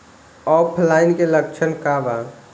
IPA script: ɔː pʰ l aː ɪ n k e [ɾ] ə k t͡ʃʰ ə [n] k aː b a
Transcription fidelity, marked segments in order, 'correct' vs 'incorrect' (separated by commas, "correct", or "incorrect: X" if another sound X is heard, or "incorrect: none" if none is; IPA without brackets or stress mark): incorrect: l, correct